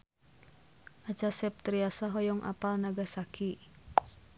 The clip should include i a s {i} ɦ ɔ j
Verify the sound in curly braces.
incorrect: a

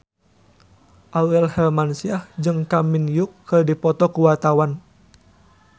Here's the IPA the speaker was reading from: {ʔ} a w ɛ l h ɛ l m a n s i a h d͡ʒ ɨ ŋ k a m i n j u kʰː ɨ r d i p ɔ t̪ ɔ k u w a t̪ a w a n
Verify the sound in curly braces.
correct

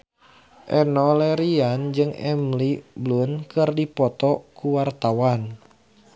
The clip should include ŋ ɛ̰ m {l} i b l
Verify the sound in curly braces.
correct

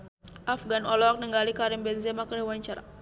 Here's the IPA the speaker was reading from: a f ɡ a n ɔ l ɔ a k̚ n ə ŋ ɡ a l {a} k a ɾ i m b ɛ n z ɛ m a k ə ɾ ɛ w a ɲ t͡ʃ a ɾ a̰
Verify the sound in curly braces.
incorrect: i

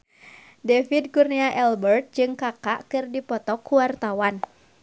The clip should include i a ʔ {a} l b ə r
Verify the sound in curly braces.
incorrect: ɛ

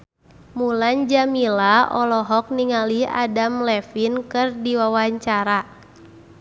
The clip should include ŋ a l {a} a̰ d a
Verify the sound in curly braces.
incorrect: i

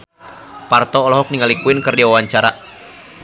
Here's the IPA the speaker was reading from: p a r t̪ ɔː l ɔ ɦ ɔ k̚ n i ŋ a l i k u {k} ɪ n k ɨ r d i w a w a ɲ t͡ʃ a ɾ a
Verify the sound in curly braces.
incorrect: none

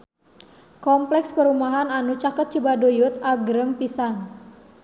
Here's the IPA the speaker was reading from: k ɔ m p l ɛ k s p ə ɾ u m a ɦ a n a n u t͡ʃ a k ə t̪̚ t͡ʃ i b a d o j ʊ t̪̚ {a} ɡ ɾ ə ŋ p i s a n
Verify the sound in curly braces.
correct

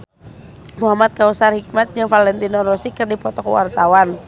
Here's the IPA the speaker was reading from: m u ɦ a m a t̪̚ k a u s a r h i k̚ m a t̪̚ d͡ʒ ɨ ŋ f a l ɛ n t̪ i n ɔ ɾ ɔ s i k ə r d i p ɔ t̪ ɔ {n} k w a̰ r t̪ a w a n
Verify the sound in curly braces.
incorrect: none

